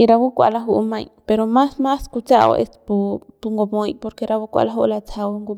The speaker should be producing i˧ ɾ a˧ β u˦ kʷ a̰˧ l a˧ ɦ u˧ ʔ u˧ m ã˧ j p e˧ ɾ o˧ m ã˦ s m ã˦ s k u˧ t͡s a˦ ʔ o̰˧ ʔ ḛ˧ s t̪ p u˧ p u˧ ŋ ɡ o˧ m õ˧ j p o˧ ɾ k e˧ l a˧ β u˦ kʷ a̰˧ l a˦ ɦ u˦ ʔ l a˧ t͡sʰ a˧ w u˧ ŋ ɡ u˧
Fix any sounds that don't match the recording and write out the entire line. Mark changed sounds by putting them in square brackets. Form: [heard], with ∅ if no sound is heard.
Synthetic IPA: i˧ ɾ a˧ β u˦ kʷ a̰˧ l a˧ ɦ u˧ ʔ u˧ m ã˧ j p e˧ ɾ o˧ m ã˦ s m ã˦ s k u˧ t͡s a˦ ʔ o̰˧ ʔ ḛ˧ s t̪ p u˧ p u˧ ŋ ɡ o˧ m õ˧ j p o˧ ɾ k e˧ [ɾ] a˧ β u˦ kʷ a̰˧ l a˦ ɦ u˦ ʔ l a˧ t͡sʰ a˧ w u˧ ŋ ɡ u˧